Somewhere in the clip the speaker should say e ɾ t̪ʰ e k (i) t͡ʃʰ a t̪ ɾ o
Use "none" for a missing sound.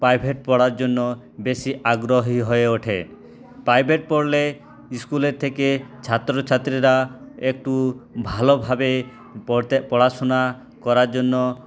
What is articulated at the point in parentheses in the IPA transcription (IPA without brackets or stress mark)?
e